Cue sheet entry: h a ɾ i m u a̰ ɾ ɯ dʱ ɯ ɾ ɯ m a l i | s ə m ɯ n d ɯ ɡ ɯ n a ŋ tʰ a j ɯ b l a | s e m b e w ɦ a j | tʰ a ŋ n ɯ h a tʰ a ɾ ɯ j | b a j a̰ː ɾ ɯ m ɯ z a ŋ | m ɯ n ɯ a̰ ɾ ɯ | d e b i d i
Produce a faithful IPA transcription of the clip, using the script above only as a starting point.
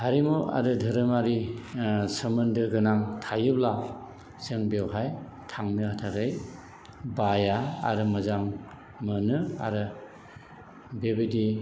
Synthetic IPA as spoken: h a ɾ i m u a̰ ɾ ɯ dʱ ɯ ɾ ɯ m a ɾ i | s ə m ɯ n d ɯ ɡ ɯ n a ŋ tʰ a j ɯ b l a | s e ŋ b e w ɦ a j | tʰ a ŋ n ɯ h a tʰ a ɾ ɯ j | b a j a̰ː ɾ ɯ m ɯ z a ŋ | m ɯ n ɯ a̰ ɾ ɯ | b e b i d i